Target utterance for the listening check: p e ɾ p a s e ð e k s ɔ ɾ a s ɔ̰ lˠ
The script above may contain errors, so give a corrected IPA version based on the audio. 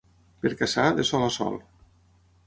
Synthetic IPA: p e ɾ k a s a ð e s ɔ l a s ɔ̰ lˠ